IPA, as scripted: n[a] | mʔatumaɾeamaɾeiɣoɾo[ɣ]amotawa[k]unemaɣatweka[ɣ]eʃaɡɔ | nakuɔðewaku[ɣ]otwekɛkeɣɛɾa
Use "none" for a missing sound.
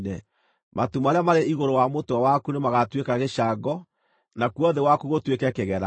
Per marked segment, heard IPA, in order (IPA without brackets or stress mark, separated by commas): ɛ, w, k, ɣ, ɣ